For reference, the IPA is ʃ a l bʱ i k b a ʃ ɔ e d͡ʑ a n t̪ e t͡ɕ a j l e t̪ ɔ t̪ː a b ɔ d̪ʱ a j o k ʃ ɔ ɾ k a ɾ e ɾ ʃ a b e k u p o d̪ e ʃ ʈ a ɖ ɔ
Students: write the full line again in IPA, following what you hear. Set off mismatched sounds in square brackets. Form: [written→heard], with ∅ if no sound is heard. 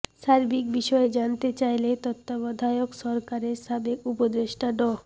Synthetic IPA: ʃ a [l→ɾ] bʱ i k b [a→i] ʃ ɔ e d͡ʑ a n t̪ e t͡ɕ a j l e t̪ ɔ t̪ː a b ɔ d̪ʱ a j o k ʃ ɔ ɾ k a ɾ e ɾ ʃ a b e k u p o d̪ e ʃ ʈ a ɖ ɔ